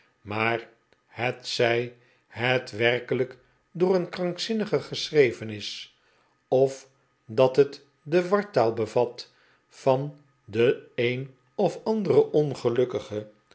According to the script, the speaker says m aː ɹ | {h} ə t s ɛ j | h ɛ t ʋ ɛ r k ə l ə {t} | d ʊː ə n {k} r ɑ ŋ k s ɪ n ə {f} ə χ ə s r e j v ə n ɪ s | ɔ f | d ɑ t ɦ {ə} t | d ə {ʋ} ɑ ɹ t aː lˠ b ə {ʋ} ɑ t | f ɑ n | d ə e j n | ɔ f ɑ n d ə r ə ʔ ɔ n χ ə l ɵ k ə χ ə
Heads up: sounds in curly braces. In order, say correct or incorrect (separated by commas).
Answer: correct, incorrect, correct, incorrect, correct, correct, incorrect